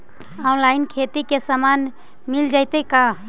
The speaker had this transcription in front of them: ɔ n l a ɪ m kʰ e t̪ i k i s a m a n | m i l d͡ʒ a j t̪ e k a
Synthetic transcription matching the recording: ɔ n l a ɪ n kʰ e t̪ i k e s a m a n | m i l d͡ʒ a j t̪ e k a